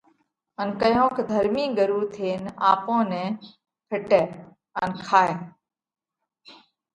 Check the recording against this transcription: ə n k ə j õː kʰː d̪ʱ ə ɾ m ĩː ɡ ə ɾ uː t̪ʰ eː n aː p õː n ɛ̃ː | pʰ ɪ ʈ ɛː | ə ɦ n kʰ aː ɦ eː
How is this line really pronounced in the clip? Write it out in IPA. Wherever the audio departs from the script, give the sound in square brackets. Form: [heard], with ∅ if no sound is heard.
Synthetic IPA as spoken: ə n k ə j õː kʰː d̪ʱ ə ɾ m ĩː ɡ ə ɾ uː t̪ʰ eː n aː p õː n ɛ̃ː | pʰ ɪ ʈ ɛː | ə [∅] n kʰ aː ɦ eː